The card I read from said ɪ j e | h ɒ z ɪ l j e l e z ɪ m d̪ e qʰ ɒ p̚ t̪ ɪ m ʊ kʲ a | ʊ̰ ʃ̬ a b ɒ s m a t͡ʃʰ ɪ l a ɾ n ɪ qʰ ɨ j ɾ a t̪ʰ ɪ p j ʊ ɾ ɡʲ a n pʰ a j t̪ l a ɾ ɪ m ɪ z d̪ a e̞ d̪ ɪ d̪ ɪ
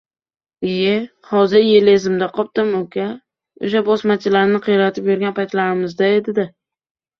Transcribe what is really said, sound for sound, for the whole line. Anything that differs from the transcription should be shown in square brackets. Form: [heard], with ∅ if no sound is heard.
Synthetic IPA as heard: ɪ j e | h ɒ z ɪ [ɾ] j e l e z ɪ m d̪ [a] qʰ ɒ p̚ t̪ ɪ m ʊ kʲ a | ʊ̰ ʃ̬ a b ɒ s m a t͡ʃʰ ɪ l a ɾ n ɪ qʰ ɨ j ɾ a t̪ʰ ɪ p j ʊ ɾ ɡʲ a n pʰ a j t̪ l a ɾ ɪ m ɪ z d̪ a e̞ d̪ ɪ d̪ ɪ